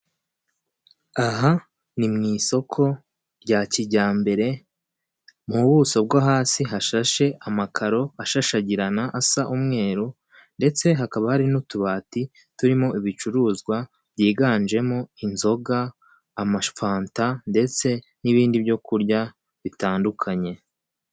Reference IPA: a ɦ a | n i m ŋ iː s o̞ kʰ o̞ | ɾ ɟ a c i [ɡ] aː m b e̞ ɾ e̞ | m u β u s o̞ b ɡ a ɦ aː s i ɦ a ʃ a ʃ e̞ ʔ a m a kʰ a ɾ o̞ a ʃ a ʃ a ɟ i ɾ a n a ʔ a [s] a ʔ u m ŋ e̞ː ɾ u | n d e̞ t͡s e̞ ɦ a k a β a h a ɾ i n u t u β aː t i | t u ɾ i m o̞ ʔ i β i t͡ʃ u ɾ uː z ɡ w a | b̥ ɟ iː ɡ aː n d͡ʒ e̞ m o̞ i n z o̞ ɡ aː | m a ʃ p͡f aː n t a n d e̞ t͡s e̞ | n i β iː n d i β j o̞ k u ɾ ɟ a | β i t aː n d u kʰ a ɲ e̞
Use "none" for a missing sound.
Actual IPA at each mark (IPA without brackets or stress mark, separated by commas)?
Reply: ɟ, s